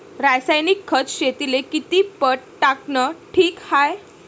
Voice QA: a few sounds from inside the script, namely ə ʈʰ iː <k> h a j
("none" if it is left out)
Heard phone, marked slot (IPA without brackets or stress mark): k